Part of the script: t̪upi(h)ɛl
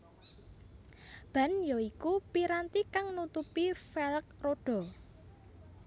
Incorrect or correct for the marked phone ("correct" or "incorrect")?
incorrect